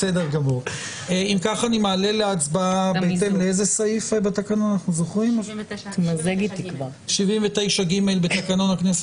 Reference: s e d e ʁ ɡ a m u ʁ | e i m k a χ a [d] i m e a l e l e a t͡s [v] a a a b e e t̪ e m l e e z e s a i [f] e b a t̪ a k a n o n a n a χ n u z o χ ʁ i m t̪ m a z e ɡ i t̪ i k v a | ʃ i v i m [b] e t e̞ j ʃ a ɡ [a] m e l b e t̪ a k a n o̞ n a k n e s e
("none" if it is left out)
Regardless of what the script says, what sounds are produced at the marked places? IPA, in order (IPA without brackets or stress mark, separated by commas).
n, b, f, v, i